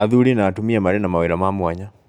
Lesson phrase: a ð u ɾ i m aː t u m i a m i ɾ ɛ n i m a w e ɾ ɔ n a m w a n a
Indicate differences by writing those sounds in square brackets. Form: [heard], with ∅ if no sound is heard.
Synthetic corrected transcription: a ð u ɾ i [n] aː t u m i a m [a] ɾ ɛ n [a] m a w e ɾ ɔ [m] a m w a [ɲ] a